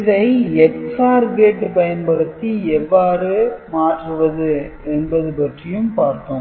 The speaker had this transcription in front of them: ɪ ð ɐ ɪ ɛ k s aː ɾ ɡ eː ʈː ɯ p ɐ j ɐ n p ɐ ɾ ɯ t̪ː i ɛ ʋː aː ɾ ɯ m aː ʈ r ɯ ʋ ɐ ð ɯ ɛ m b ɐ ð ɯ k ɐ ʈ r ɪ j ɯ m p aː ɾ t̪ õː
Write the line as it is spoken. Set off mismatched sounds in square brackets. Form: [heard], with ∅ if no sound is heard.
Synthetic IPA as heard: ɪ ð ɐ ɪ ɛ k s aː ɾ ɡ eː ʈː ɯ p ɐ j ɐ n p ɐ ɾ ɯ t̪ː i ɛ ʋː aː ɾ ɯ m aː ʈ r ɯ ʋ ɐ ð ɯ ɛ [n] b ɐ ð ɯ [p] ɐ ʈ r ɪ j ɯ m p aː ɾ t̪ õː

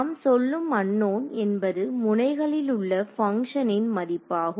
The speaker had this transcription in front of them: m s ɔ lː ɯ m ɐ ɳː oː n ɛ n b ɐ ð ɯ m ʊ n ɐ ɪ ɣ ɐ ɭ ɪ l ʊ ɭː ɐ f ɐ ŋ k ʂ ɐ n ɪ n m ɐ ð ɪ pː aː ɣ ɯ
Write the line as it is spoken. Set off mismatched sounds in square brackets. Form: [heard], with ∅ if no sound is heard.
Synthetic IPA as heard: m s ɔ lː ɯ m ɐ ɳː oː n ɛ n b ɐ ð ɯ m ʊ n ɐ ɪ ɣ ɐ ɭ ɪ l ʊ ɭː ɐ f ɐ ŋ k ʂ ɐ n ɪ n m ɐ ð ɪ pː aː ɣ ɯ

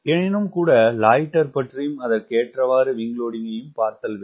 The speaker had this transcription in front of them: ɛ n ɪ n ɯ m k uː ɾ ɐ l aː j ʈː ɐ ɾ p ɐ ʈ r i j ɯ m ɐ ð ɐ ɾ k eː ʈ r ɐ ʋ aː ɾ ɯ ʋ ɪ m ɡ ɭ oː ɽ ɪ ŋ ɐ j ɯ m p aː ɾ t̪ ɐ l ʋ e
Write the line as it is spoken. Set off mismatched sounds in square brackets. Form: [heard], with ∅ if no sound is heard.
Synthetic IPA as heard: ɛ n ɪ n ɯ m k uː [ɽ] ɐ l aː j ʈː ɐ ɾ p ɐ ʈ r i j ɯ m ɐ ð ɐ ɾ k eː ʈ r ɐ ʋ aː ɾ ɯ ʋ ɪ [ŋ] ɡ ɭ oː ɽ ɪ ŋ ɐ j ɯ m p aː ɾ t̪ ɐ l ʋ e

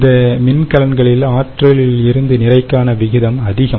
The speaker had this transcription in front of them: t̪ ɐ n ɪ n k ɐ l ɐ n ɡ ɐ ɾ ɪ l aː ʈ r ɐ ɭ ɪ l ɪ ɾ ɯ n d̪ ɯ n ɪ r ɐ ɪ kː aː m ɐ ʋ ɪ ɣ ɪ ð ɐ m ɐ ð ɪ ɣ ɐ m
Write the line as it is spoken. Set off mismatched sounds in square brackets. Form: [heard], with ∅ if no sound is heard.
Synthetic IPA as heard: [d̪] ɐ [m] ɪ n k ɐ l ɐ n ɡ ɐ [ɭ] ɪ l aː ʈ r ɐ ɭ ɪ l ɪ ɾ ɯ n d̪ ɯ n ɪ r ɐ ɪ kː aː [n] ɐ ʋ ɪ ɣ ɪ ð ɐ m ɐ ð ɪ ɣ ɐ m

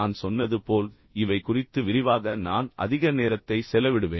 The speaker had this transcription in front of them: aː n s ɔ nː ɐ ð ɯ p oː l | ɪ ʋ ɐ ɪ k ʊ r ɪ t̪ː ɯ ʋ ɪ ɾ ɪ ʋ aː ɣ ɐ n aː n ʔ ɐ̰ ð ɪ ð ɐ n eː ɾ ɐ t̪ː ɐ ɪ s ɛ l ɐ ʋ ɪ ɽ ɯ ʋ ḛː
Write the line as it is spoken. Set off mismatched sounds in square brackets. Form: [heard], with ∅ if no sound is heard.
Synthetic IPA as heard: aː n s ɔ nː ɐ ð ɯ p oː l | ɪ ʋ ɐ ɪ k ʊ r ɪ t̪ː ɯ ʋ ɪ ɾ ɪ ʋ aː ɣ ɐ n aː n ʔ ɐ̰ ð ɪ [ɣ] ɐ n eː ɾ ɐ t̪ː ɐ ɪ s ɛ l ɐ ʋ ɪ ɽ ɯ ʋ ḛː

